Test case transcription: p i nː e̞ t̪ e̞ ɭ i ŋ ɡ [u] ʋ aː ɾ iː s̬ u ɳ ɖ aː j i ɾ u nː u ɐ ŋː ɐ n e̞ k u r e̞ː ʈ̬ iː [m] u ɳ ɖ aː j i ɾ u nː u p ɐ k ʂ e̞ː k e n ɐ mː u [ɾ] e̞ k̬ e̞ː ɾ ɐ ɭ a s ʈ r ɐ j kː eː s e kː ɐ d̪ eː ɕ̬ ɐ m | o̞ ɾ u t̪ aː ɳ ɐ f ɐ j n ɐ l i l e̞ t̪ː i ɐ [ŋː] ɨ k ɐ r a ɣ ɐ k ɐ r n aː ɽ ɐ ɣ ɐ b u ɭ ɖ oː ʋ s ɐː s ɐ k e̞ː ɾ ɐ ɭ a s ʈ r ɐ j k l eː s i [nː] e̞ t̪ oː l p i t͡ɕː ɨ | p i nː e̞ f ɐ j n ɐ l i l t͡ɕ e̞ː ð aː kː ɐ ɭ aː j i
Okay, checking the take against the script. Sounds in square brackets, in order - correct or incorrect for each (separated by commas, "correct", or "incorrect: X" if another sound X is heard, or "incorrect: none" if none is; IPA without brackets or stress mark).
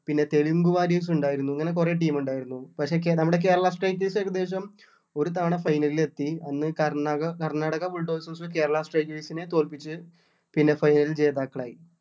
correct, correct, incorrect: ɽ, incorrect: nː, incorrect: n